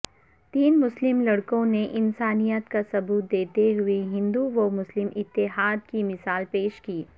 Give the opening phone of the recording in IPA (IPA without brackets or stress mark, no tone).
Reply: t̪